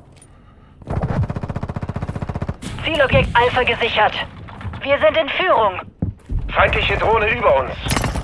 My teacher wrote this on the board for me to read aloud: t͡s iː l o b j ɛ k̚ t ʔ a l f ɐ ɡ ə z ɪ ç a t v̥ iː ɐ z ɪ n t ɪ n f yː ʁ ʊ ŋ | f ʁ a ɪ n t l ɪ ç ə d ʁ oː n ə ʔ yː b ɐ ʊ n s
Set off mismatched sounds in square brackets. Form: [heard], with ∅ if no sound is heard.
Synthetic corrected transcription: t͡s iː l [ɔ] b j ɛ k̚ t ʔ a l f ɐ ɡ ə z ɪ ç [ɐ] t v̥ iː ɐ z ɪ n t ɪ n f yː ʁ ʊ ŋ | f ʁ a ɪ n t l ɪ ç ə d ʁ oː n ə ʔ yː b ɐ ʊ n s

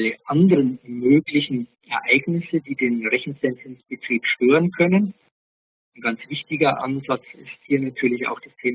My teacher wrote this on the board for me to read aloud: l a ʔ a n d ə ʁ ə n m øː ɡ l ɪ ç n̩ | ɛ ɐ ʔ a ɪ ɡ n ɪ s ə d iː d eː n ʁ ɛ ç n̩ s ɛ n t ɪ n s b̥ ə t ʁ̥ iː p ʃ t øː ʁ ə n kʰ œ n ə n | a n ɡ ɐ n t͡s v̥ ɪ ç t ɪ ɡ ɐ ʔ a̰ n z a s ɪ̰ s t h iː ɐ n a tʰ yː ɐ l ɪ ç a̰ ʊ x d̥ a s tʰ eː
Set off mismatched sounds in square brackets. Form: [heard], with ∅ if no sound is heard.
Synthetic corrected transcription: l [ə] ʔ a n d ə ʁ ə n m øː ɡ l ɪ ç n̩ | ɛ ɐ ʔ a ɪ ɡ n ɪ s ə d iː d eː n ʁ ɛ ç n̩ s ɛ n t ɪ n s b̥ ə t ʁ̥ iː p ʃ t øː ʁ ə n kʰ œ n ə n | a n ɡ [a] n t͡s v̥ ɪ ç t ɪ ɡ ɐ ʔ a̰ n z a [t͡s] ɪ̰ s t h iː ɐ n a tʰ yː ɐ l ɪ ç a̰ ʊ x d̥ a s tʰ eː

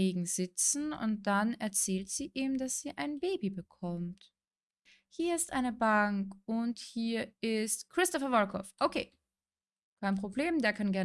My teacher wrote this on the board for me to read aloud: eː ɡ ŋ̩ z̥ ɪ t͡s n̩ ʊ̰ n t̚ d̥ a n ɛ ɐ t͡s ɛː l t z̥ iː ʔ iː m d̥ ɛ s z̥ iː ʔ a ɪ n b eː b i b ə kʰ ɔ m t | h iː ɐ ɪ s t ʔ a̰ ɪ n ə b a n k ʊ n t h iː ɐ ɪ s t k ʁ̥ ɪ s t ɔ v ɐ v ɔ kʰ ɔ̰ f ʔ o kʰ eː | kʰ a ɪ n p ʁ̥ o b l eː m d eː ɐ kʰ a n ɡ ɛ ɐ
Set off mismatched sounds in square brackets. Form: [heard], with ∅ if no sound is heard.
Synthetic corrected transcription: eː ɡ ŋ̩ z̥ ɪ t͡s n̩ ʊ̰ n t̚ d̥ a n ɛ ɐ t͡s ɛː l t z̥ iː ʔ iː m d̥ [a] s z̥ iː ʔ a ɪ n b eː b i b ə kʰ ɔ m t | h iː ɐ ɪ s t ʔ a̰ ɪ n ə b a [ŋ] k ʊ n t h iː ɐ ɪ s t k ʁ̥ ɪ s t ɔ [f] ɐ v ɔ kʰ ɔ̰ f ʔ o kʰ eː | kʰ a ɪ n p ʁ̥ o b l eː m d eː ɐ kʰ a n ɡ ɛ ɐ

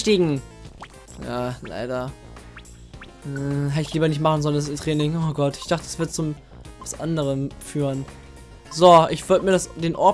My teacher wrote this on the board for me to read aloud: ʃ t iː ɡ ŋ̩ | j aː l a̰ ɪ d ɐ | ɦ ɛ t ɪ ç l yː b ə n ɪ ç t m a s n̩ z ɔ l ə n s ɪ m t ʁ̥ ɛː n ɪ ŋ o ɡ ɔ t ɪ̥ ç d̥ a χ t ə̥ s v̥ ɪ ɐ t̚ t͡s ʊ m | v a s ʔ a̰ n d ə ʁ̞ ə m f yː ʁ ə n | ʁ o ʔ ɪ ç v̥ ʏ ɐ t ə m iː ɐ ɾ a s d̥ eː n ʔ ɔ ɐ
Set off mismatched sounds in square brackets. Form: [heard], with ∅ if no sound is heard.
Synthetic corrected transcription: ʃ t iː ɡ ŋ̩ | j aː l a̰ ɪ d ɐ | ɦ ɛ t ɪ ç l [iː] b [ɐ] n ɪ ç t m a [χ] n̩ z ɔ l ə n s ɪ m t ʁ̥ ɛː n ɪ ŋ o ɡ ɔ t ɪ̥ ç d̥ a χ t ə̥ s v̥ ɪ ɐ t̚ t͡s ʊ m | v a s ʔ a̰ n d ə ʁ̞ ə m f yː ʁ ə n | [z] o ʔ ɪ ç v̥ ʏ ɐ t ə m iː ɐ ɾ a s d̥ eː n ʔ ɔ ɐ

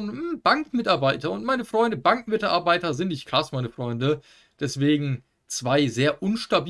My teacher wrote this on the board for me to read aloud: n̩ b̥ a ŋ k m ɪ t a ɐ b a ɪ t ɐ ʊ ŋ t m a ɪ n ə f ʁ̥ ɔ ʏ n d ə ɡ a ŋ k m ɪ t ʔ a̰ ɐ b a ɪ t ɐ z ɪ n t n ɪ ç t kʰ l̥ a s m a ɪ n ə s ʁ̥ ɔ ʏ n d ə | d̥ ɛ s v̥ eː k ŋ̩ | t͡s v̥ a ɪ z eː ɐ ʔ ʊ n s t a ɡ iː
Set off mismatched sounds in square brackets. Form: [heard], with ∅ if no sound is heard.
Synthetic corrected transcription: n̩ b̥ a ŋ k m ɪ t a ɐ b a ɪ t ɐ ʊ [n] t m a ɪ n ə f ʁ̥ ɔ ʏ n d ə [b] a ŋ k m ɪ t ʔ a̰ ɐ b a ɪ t ɐ z ɪ n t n ɪ ç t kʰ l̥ a s m a ɪ n ə [f] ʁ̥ ɔ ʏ n d ə | d̥ ɛ s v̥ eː [ɡ] ŋ̩ | t͡s v̥ a ɪ z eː ɐ ʔ ʊ n [ʃ] t a [b] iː

